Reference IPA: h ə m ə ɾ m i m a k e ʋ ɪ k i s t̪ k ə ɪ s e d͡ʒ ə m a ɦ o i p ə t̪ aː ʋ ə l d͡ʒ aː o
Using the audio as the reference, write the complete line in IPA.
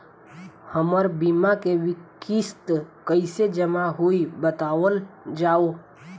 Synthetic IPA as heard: h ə m ə ɾ b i m a k e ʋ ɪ k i s t̪ k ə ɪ s e d͡ʒ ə m a ɦ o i b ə t̪ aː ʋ ə l d͡ʒ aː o